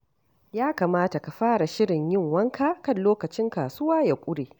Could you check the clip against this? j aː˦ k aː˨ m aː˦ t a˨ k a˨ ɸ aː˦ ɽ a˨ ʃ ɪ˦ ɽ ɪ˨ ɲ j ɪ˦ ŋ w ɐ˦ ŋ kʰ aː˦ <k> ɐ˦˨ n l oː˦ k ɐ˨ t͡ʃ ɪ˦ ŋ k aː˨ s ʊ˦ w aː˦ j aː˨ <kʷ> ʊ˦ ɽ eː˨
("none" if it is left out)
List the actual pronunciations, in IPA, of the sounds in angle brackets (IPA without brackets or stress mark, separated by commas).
k, kʷʼ